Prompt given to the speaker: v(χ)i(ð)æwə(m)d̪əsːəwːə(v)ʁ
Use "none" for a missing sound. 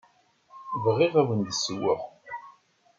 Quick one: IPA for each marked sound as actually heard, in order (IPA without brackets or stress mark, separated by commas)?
ʁ, ʁ, n, none